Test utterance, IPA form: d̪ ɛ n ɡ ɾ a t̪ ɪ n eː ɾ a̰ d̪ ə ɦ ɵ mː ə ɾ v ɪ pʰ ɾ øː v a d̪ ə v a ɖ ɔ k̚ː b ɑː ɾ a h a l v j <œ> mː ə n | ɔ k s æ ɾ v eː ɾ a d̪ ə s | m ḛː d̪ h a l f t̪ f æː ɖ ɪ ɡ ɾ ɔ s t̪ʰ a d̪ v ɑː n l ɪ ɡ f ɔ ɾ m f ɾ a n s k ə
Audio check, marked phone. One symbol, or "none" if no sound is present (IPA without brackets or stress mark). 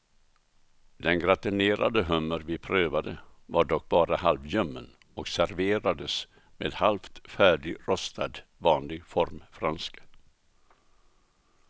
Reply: œ